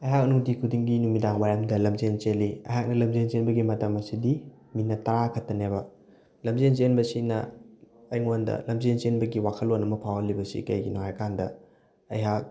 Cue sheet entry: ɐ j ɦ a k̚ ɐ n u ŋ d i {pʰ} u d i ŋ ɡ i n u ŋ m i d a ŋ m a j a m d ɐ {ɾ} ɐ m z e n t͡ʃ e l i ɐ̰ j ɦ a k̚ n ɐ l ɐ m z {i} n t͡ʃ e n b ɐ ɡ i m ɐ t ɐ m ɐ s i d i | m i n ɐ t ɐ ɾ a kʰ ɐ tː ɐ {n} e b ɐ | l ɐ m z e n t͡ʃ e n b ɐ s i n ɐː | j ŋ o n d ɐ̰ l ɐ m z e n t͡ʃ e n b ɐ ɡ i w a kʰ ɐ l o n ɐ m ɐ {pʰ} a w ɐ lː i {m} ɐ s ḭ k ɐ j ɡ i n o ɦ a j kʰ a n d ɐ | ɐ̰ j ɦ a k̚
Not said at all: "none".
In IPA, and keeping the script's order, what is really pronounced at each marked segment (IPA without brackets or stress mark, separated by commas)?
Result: kʰ, l, e, n, pʰ, b